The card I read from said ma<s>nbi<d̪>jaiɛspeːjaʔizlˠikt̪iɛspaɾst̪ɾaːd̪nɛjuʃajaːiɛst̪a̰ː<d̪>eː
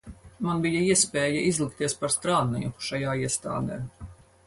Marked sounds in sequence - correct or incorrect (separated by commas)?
incorrect, incorrect, correct